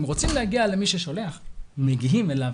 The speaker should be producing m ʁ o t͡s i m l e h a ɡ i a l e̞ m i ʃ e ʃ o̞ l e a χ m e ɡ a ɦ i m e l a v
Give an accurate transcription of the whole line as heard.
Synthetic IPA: m ʁ o t͡s i m l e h a ɡ i a l e̞ m i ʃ e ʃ o̞ l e a χ m e ɡ i ɦ i m e l a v